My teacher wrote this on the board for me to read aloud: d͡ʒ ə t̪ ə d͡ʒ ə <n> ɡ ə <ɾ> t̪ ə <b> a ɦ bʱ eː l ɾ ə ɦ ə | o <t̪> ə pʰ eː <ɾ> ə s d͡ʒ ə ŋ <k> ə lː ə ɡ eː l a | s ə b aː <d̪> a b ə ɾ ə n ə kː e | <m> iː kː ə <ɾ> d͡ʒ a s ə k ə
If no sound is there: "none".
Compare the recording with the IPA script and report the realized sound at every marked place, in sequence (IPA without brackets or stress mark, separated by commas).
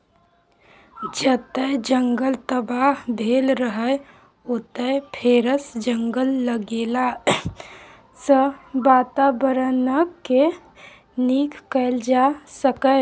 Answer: ŋ, l, b, t̪, ɾ, ɡ, t̪, n, l